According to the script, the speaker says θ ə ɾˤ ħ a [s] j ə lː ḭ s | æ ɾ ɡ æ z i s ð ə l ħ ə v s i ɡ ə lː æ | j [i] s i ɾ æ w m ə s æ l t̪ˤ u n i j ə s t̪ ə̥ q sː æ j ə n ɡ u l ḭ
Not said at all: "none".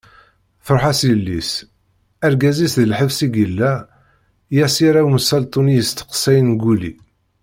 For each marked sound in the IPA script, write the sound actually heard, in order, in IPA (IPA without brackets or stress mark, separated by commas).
s, æ